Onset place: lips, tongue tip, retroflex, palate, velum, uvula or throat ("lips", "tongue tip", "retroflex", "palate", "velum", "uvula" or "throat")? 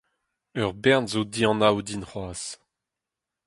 uvula